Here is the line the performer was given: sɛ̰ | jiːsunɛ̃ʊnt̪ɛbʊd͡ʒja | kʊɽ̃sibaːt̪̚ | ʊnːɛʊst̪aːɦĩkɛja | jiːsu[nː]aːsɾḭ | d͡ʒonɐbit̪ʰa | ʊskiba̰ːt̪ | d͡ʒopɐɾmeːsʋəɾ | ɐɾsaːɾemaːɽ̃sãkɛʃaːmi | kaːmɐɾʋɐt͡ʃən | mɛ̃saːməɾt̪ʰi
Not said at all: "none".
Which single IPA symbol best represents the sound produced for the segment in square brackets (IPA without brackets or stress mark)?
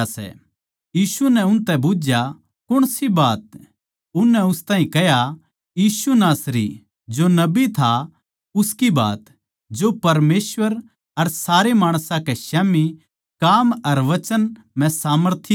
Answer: n